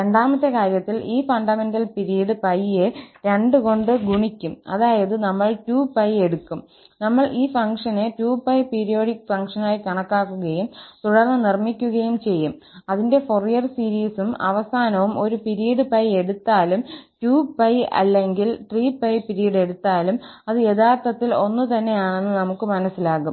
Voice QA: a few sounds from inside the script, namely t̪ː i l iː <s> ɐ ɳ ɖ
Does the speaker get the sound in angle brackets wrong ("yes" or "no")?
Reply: yes